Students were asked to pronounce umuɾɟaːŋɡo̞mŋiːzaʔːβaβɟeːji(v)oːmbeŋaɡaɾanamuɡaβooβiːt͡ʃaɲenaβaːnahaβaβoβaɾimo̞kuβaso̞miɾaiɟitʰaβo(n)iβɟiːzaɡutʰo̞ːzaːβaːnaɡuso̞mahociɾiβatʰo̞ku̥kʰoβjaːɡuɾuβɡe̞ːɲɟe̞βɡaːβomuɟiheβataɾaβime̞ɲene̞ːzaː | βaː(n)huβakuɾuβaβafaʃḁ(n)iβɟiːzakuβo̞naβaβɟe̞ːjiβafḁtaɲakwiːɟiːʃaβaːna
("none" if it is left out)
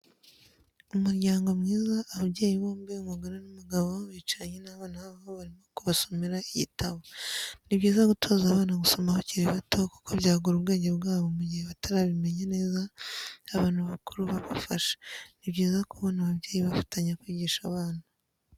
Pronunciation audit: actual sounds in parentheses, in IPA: β, n, n, n

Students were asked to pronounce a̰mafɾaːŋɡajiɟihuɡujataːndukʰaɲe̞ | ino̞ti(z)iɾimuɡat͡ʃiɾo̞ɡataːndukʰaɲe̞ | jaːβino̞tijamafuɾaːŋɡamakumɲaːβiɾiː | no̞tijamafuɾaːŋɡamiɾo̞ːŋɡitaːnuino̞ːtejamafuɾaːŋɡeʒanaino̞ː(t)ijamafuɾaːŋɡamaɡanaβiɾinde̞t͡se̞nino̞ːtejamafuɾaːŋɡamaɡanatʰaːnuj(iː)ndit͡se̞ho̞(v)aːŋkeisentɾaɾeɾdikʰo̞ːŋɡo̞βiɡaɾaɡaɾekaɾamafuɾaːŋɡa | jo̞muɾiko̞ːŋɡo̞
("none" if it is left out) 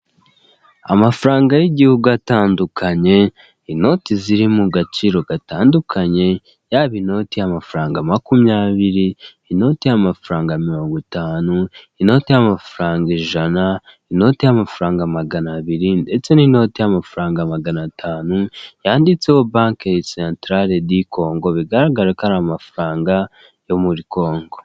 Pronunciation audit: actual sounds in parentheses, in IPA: z, t, aː, b

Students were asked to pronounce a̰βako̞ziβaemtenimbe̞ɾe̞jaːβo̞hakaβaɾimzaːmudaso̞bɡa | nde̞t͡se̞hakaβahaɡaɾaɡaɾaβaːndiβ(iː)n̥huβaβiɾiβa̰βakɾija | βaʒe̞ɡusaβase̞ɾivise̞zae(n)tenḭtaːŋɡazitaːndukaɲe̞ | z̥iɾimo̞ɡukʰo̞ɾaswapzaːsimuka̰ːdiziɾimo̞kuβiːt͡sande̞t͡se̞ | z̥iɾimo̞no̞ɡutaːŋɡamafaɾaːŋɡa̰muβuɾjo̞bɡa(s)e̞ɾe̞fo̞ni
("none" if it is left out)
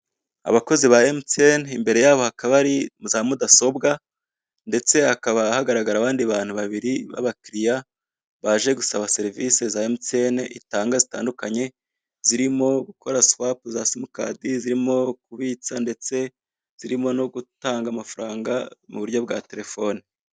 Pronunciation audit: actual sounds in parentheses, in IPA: aː, m, t

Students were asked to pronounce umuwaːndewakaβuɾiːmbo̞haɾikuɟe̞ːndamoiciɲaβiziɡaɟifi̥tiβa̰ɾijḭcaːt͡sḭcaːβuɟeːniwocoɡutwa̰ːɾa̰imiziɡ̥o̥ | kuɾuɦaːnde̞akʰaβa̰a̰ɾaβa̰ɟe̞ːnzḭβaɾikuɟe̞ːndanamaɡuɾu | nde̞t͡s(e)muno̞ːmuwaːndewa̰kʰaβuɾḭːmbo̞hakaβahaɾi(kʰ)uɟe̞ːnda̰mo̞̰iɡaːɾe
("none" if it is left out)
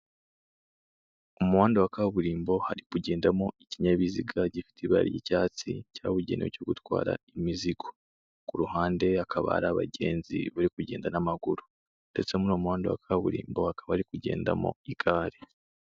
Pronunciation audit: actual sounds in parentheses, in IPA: e, k

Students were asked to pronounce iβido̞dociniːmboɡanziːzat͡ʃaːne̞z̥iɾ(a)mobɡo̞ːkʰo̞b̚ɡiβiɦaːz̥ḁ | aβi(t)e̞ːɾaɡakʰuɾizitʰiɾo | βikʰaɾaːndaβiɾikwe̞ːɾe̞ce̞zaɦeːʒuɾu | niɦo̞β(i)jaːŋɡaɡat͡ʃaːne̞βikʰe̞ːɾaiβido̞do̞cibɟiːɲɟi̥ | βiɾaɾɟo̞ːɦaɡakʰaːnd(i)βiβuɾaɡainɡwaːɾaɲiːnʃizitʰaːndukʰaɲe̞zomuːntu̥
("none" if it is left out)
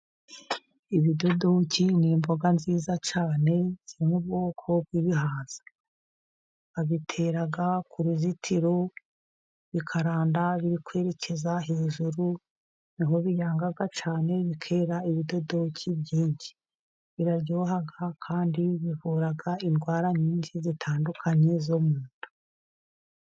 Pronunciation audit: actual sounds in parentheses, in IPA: i, tʰ, i, i

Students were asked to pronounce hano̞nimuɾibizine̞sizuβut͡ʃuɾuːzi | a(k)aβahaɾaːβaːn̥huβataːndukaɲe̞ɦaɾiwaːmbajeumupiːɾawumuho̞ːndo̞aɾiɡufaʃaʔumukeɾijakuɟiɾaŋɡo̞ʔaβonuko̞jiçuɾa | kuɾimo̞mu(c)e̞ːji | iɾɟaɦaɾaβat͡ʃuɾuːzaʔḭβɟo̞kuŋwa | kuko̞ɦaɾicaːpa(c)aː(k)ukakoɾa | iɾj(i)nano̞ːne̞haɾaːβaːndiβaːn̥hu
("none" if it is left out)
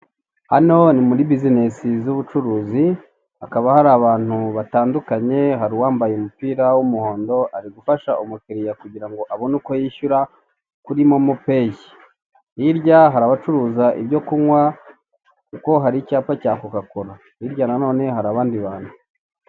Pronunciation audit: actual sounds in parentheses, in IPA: k, p, c, k, a

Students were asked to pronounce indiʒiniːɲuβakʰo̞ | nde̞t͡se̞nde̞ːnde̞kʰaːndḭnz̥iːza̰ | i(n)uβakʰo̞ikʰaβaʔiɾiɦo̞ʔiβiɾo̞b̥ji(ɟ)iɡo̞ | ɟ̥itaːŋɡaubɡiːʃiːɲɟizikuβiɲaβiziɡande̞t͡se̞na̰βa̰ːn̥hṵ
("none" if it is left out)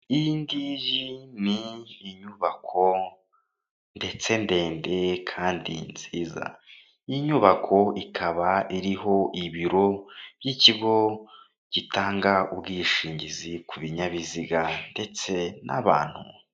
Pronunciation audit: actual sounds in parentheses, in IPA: ɲ, c

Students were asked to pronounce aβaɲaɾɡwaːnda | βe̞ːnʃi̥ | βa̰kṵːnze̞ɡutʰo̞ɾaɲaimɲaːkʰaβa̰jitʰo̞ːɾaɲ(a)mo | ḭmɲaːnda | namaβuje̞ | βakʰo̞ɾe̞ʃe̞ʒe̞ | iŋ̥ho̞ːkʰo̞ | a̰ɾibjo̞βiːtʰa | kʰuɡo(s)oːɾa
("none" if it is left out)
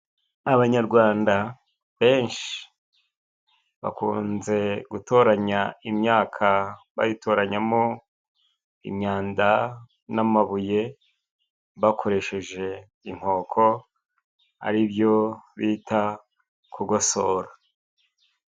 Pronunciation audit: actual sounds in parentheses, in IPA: a, s

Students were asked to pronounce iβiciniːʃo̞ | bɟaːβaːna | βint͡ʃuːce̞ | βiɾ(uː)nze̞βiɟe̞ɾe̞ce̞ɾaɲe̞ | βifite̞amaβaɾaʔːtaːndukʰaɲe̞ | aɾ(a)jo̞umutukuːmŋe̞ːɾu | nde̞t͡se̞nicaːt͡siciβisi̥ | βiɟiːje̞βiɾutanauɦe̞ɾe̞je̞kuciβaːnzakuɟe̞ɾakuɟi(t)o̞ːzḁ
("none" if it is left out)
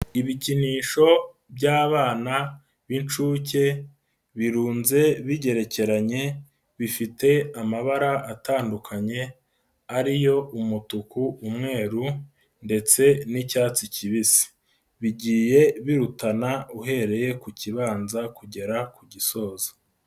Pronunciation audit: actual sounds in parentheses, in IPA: uː, i, s

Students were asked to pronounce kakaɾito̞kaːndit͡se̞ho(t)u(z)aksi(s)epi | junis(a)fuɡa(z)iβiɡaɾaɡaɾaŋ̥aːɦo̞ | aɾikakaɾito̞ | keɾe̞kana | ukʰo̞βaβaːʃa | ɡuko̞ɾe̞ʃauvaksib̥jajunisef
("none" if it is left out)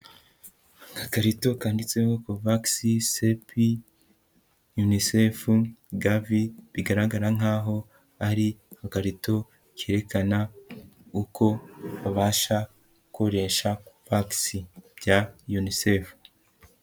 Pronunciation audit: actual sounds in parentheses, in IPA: k, v, s, e, v

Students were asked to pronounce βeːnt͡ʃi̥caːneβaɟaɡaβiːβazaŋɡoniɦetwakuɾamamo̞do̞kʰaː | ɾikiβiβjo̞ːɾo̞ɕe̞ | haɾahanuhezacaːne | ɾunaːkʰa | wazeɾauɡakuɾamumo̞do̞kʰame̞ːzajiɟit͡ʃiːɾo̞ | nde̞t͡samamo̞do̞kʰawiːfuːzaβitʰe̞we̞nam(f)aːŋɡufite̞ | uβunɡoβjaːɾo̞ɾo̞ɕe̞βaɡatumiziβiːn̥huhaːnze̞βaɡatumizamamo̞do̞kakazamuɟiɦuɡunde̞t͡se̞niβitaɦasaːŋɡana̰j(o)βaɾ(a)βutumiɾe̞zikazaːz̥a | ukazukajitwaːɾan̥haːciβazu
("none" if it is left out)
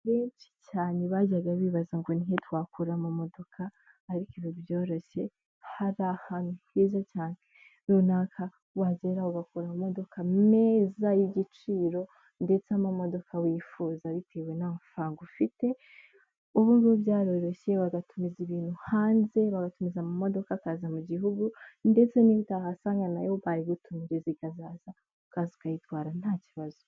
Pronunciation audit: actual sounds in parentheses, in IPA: f, o, i

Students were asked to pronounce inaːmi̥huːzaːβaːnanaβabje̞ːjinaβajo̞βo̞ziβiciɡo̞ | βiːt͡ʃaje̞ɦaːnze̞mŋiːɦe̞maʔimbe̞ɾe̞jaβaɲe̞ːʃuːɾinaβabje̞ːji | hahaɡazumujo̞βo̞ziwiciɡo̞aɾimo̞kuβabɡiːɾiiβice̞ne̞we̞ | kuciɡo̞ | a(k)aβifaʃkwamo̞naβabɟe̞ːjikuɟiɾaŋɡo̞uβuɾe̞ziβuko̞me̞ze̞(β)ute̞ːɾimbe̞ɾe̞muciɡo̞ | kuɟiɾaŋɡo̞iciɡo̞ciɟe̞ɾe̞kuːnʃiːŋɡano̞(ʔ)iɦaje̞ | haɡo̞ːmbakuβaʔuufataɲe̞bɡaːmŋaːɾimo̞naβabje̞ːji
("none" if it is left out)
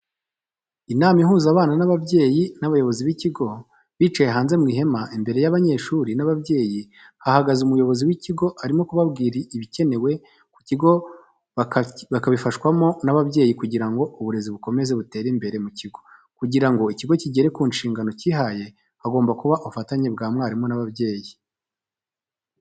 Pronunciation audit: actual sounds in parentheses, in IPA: k, β, c

